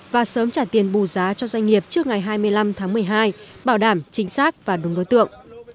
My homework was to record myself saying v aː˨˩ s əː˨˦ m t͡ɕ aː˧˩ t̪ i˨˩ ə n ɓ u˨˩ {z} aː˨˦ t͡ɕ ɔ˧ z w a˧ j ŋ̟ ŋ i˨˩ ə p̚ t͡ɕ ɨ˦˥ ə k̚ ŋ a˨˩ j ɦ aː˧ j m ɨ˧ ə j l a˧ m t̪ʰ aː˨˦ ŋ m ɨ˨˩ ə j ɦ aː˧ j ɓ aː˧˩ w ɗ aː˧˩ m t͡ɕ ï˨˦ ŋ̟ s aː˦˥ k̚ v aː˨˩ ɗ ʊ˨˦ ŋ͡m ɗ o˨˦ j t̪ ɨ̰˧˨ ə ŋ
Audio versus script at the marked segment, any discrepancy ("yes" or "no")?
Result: no